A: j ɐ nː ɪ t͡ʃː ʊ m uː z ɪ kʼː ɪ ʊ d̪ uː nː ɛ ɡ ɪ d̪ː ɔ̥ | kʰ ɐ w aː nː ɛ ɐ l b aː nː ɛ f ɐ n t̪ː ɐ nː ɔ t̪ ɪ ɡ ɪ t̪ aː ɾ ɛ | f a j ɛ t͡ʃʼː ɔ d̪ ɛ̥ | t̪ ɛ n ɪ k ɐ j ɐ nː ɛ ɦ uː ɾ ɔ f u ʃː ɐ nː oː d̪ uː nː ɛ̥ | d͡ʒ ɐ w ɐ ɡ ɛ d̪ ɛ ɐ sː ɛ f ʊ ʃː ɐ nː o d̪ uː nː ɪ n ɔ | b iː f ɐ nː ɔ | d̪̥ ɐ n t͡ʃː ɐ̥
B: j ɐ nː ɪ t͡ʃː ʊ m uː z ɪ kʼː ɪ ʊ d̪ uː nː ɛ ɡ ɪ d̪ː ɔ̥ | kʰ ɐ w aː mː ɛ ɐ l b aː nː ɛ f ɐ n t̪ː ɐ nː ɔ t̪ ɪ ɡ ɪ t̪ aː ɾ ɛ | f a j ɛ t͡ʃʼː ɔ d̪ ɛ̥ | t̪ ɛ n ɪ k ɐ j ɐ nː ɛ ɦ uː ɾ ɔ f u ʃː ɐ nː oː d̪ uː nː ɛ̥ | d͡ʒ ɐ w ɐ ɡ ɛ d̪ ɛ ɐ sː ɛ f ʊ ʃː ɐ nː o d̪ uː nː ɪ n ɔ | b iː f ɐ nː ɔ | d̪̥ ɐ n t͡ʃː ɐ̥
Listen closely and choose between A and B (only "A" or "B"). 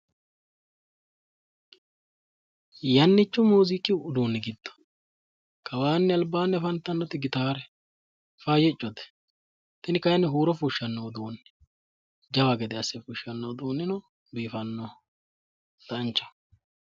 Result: A